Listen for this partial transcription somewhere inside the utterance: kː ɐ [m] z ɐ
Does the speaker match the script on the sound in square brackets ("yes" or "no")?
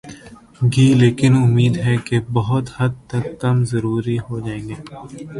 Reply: yes